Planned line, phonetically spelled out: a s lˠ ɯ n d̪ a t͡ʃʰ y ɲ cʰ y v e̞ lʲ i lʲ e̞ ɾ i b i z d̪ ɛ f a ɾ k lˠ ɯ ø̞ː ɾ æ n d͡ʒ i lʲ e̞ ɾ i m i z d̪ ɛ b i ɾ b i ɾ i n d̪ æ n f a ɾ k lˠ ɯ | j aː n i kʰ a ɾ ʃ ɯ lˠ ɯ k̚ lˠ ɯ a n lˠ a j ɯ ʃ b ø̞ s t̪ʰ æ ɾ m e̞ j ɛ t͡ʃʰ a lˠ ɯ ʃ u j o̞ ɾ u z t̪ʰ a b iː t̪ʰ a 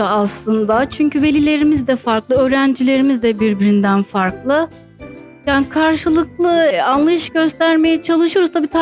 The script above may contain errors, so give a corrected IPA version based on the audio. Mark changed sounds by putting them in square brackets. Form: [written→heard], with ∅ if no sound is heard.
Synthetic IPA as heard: a s lˠ ɯ n d̪ a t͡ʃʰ y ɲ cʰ y v e̞ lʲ i lʲ e̞ ɾ i [b→m] i z d̪ ɛ f a ɾ k lˠ ɯ ø̞ː ɾ æ n d͡ʒ i lʲ e̞ ɾ i m i z d̪ ɛ b i ɾ b i ɾ i n d̪ æ n f a ɾ k lˠ ɯ | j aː n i kʰ a ɾ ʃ ɯ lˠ ɯ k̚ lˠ ɯ a n lˠ a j ɯ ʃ [b→ɟ] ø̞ s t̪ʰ æ ɾ m e̞ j ɛ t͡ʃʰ a lˠ ɯ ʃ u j o̞ ɾ u z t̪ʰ a b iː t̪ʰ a